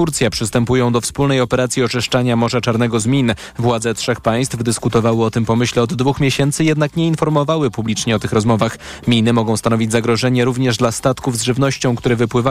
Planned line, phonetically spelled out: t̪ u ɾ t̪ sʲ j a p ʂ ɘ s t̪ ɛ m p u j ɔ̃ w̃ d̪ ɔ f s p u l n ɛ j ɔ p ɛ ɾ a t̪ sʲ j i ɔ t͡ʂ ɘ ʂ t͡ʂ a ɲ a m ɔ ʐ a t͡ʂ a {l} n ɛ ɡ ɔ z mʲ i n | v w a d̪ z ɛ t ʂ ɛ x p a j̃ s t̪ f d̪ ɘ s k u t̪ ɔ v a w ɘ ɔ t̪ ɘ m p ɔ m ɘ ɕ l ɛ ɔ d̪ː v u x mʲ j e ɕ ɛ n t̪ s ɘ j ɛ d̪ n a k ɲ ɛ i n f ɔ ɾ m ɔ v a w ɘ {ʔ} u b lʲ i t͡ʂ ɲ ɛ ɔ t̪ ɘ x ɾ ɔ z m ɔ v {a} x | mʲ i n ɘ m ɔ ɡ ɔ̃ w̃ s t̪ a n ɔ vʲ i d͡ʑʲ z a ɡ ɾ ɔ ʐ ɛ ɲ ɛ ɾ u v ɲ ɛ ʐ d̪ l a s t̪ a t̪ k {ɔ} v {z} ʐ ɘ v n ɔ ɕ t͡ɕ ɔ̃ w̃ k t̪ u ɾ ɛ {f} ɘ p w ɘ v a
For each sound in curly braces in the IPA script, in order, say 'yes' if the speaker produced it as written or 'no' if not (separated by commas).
no, no, yes, no, yes, no